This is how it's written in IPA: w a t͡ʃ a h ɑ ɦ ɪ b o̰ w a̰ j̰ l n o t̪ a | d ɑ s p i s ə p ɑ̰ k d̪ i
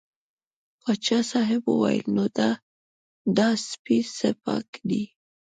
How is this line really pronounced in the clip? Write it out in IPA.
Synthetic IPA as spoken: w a t͡ʃ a s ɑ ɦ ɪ b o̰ w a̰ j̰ l n o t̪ a | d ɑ s p i s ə p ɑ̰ k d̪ i